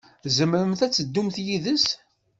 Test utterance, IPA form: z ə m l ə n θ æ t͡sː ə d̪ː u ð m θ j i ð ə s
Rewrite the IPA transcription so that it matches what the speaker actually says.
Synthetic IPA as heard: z ə m ɾ ə m θ æ t͡sː ə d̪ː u m θ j i ð ə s